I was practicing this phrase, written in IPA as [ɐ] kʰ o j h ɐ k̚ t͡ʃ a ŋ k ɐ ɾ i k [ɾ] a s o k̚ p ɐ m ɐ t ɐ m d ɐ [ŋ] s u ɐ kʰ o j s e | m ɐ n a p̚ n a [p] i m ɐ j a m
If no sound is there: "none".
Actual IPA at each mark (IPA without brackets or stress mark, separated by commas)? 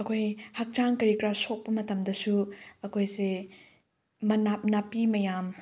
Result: ɐ, ɾ, none, p